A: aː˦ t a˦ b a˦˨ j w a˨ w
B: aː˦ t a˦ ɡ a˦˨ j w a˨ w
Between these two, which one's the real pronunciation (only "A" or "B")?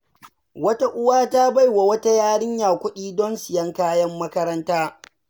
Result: A